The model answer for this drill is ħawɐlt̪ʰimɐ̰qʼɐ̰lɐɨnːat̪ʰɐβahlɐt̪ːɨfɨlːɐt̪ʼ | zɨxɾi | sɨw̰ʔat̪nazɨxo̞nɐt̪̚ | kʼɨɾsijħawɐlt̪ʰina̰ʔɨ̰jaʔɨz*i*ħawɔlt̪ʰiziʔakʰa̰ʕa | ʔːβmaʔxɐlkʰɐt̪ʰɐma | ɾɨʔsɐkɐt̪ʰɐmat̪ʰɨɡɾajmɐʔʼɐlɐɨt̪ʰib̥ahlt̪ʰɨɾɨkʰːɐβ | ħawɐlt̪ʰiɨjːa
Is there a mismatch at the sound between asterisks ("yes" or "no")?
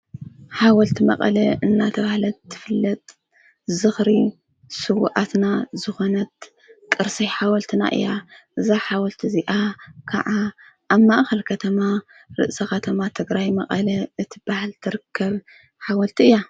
yes